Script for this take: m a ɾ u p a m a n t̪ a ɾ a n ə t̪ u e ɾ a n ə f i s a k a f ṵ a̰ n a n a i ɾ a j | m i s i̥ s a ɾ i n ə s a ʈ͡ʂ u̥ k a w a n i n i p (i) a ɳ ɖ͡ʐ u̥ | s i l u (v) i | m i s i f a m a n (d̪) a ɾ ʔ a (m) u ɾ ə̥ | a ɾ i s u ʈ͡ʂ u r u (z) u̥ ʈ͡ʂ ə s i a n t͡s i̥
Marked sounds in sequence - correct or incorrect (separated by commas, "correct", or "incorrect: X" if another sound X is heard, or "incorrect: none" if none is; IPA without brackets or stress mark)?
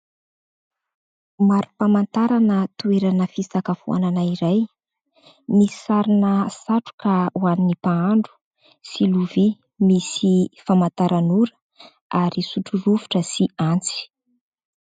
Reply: incorrect: a, correct, incorrect: t̪, incorrect: n, incorrect: v